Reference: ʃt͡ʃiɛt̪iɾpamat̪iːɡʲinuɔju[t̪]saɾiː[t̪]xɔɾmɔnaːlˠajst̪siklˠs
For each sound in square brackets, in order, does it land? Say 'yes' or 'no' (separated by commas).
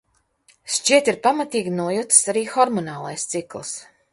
yes, no